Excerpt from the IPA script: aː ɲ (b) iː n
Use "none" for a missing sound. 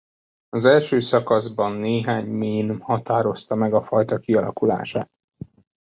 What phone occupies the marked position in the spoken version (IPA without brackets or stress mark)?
m